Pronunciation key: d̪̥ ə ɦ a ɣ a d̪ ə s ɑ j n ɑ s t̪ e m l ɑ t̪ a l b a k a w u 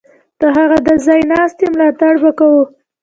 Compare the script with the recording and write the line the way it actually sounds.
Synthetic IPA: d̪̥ ə ɦ a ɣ a d̪ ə z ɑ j n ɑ s t̪ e m l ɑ t̪ a ɽ b a k a w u